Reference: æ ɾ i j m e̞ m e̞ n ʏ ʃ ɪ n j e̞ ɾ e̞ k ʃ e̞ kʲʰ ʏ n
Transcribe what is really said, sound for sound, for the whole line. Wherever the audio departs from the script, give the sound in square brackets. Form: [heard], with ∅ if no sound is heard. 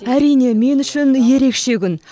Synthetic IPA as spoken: æ ɾ i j [n] e̞ m e̞ n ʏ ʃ ɪ n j e̞ ɾ e̞ k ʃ e̞ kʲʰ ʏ n